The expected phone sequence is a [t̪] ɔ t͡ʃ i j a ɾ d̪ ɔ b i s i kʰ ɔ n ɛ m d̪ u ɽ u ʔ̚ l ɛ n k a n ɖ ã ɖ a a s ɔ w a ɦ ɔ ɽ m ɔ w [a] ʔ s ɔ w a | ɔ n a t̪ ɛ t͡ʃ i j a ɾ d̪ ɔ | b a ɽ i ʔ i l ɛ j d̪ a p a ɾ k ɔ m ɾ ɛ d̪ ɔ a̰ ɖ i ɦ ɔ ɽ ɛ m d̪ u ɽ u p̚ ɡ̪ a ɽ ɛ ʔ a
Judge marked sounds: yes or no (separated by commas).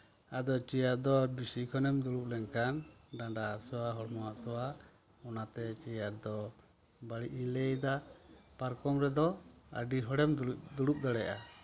no, yes